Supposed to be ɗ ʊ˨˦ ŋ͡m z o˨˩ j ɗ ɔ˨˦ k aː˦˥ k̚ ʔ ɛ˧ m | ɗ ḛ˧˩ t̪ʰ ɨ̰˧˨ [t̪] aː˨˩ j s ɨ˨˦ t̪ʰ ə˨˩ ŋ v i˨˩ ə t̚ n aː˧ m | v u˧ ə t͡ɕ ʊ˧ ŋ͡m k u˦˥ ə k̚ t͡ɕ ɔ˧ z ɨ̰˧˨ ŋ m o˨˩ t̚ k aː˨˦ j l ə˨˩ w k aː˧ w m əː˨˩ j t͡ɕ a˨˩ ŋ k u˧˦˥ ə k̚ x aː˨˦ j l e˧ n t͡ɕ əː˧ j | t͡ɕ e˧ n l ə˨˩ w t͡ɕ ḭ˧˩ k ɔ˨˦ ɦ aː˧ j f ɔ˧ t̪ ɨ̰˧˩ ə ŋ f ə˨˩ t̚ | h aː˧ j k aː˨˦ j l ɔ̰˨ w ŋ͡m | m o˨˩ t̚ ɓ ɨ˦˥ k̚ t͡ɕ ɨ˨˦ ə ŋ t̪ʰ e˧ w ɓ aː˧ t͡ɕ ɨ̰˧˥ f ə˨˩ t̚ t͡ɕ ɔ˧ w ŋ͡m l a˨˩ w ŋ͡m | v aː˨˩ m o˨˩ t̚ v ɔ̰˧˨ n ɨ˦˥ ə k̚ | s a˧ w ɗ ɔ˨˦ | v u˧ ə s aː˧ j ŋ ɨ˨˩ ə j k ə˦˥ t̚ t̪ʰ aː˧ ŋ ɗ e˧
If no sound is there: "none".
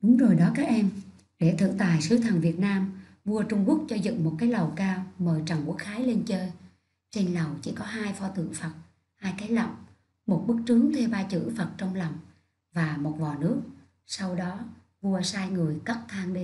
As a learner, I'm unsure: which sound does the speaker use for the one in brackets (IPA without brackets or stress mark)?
t̪